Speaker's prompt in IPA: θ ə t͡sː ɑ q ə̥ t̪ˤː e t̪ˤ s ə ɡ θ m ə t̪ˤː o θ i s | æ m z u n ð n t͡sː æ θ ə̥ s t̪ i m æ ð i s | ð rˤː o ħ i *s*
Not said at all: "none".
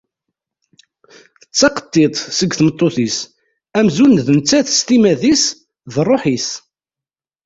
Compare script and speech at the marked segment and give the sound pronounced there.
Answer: s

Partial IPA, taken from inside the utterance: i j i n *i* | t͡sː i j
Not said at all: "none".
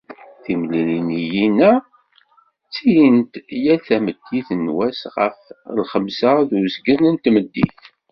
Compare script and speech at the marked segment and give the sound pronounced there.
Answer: æ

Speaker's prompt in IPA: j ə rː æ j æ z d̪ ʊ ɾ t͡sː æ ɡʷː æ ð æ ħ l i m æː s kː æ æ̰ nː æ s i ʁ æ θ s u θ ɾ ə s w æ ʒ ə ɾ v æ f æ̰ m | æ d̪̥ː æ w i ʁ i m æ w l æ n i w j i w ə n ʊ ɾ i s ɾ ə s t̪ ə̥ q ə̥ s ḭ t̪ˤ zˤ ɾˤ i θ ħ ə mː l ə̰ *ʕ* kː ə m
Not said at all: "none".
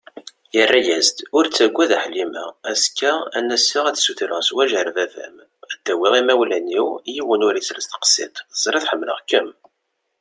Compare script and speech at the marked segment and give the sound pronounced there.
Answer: ʁ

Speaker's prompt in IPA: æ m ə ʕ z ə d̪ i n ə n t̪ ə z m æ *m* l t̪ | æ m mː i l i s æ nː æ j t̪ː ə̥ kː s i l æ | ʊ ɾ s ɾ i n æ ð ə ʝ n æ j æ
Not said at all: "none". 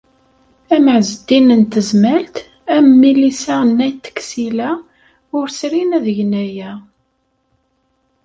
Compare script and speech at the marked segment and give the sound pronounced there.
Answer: none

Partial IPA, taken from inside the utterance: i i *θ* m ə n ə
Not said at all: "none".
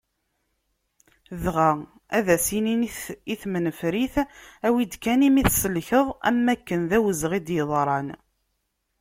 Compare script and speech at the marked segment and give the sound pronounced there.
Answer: θ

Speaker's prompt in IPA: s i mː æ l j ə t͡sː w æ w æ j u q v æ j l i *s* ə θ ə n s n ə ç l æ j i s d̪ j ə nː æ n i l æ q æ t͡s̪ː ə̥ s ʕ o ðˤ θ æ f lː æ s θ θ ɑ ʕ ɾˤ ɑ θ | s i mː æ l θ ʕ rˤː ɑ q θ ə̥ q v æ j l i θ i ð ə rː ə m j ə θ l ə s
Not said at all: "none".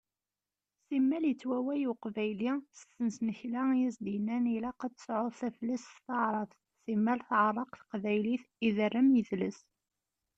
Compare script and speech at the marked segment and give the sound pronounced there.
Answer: s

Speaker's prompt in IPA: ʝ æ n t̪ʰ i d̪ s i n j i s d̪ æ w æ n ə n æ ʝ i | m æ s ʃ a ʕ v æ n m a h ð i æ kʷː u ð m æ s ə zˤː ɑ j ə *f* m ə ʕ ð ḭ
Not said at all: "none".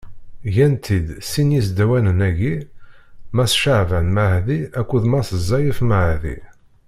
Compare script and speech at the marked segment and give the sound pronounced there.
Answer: f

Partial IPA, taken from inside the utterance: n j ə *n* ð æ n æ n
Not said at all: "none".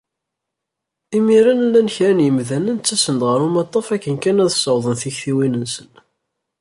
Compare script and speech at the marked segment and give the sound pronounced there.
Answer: m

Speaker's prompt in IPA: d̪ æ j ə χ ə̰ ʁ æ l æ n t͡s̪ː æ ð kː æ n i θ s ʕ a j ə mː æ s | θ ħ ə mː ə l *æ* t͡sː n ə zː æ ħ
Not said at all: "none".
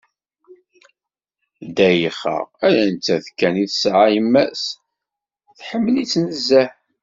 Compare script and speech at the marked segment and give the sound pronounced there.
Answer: i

